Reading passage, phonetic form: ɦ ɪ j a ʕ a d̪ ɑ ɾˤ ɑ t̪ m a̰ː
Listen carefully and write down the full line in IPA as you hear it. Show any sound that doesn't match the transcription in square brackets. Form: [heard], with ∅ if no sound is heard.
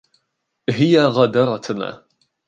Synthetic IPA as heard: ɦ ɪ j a [ɣ] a d̪ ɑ ɾˤ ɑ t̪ [n] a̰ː